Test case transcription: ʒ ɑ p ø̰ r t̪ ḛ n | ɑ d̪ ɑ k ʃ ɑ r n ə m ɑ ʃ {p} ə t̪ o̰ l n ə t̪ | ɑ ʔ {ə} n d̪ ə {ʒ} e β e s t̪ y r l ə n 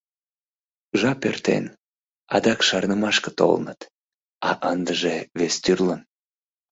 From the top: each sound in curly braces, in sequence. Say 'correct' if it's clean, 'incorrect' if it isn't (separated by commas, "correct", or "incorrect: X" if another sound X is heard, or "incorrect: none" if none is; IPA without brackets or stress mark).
incorrect: k, correct, correct